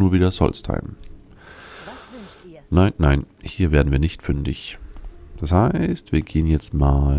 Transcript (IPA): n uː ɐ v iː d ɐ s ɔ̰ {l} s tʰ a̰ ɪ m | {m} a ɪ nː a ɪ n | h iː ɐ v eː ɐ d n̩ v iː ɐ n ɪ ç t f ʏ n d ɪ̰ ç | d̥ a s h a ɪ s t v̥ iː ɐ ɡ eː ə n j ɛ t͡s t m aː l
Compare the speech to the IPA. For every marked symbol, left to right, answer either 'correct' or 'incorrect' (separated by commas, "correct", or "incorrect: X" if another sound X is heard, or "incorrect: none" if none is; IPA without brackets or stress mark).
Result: correct, incorrect: n